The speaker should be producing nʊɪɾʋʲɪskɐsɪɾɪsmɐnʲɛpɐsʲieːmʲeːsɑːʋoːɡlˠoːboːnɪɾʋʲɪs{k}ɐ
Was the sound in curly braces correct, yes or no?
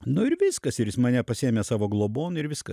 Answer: yes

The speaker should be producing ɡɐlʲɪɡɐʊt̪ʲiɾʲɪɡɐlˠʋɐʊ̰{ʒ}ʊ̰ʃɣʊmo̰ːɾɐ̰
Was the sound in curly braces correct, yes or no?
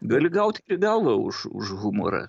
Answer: no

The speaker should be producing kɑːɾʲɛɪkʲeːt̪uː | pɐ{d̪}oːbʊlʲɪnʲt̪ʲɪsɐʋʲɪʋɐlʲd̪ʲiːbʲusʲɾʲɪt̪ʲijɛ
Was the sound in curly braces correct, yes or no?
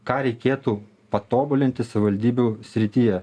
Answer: no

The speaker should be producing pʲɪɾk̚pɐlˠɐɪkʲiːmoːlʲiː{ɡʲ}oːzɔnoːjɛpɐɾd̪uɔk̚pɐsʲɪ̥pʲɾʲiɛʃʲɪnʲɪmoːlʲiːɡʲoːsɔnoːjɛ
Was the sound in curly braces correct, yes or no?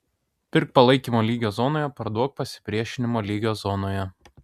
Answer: yes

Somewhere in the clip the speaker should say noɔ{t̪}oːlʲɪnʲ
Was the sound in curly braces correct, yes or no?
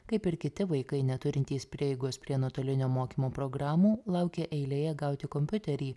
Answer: yes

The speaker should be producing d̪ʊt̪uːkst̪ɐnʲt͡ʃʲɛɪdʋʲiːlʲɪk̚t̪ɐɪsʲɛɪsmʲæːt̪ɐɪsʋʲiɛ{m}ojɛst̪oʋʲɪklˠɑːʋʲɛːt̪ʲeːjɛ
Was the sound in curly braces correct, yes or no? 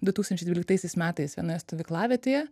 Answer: no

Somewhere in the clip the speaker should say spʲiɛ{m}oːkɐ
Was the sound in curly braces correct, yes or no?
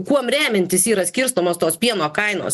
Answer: no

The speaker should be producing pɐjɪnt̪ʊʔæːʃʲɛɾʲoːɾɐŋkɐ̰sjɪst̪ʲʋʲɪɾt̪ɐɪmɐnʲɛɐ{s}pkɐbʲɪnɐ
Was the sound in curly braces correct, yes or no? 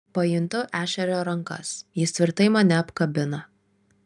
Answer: no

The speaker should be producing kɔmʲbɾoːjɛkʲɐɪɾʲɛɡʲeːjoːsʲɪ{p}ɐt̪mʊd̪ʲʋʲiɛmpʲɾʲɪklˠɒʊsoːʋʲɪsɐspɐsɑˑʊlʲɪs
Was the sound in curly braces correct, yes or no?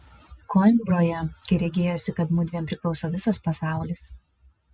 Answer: no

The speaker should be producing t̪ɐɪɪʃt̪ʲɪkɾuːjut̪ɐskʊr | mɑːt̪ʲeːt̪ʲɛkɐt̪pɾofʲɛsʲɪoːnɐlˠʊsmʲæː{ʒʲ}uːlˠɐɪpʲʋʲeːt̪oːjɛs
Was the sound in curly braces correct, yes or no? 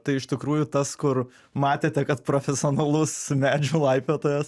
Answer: no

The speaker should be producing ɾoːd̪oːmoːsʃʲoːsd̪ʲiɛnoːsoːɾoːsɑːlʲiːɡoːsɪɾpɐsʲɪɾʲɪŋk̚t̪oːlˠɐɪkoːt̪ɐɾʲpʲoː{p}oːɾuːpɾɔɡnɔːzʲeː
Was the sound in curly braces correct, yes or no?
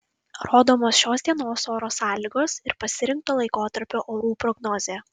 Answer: no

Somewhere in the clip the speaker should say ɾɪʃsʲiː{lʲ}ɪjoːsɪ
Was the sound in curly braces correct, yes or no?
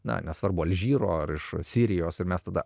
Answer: no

